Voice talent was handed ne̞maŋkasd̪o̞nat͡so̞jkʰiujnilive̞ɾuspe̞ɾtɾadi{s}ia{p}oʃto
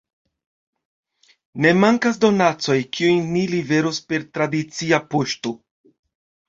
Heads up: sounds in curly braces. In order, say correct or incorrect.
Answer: incorrect, correct

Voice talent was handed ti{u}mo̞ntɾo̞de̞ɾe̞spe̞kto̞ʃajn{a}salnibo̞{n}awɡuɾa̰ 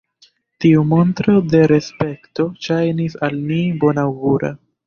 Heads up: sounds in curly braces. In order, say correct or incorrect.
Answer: correct, incorrect, correct

